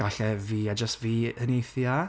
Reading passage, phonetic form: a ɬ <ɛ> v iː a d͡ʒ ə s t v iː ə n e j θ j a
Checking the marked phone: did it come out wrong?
no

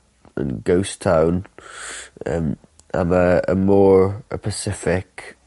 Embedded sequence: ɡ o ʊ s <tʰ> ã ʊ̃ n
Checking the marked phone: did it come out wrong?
no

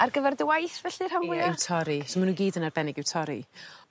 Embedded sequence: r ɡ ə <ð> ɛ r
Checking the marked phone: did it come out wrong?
yes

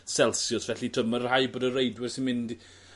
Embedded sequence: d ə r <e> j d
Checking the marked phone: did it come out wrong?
no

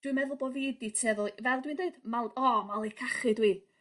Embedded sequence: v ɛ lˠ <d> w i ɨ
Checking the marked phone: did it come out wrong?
no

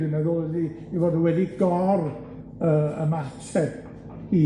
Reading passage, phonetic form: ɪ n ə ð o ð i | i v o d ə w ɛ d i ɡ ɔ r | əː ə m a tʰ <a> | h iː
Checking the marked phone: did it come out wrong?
yes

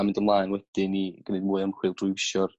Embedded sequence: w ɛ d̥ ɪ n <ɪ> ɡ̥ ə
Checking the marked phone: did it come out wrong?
yes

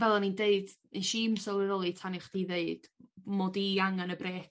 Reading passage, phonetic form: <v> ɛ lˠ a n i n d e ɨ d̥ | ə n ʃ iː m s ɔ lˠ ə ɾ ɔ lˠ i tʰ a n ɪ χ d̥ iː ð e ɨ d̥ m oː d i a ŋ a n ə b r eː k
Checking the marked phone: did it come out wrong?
no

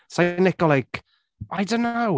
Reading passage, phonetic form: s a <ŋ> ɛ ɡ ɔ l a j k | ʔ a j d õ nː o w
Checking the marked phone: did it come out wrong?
yes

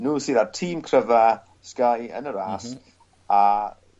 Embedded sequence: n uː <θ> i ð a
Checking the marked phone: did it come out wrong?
yes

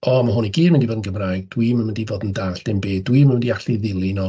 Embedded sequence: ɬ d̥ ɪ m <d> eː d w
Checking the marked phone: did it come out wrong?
yes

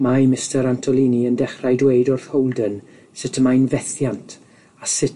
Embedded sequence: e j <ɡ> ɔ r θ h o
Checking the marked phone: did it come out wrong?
yes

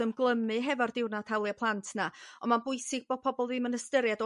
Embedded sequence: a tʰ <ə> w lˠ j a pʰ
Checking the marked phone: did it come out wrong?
yes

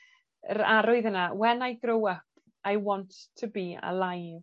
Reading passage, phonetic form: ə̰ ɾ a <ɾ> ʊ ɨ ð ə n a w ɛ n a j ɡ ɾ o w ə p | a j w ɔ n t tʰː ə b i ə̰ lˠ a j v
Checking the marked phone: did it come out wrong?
no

